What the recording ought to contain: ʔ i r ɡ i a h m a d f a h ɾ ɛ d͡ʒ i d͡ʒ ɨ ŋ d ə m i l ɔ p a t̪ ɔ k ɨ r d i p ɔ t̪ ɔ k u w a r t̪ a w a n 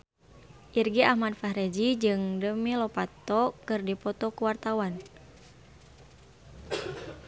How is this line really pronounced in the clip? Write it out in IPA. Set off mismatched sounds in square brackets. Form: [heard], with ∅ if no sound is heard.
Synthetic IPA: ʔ i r ɡ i a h m a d f a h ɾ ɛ d͡ʒ i d͡ʒ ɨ ŋ d ə m i l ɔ p a t̪ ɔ k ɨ r d i p ɔ t̪ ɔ k u w a r t̪ a w a n